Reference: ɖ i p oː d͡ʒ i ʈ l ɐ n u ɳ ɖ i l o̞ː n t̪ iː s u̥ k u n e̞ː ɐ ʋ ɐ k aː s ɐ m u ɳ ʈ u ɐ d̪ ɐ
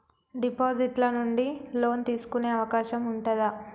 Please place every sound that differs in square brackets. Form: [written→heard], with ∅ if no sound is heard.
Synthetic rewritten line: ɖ i p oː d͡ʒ i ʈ l ɐ n u ɳ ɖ i l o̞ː n t̪ iː s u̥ k u n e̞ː ɐ ʋ ɐ k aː [s→ʃ] ɐ m u ɳ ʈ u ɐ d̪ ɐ